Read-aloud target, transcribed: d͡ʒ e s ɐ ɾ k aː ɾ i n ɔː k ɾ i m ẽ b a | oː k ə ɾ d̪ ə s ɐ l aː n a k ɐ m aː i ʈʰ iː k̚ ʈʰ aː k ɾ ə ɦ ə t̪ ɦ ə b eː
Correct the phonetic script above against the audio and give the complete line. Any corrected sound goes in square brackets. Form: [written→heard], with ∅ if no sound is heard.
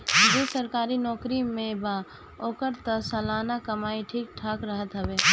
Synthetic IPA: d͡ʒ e s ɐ ɾ k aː ɾ i n ɔː k ɾ i m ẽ b a | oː k ə ɾ [d̪→t̪] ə s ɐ l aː n a k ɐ m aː i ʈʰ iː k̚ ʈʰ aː k ɾ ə ɦ ə t̪ ɦ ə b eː